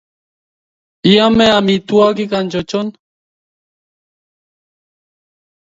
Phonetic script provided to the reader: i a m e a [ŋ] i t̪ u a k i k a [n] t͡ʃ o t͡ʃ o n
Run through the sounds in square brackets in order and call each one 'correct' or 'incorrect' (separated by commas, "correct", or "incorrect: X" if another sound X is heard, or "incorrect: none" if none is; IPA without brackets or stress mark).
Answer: incorrect: m, correct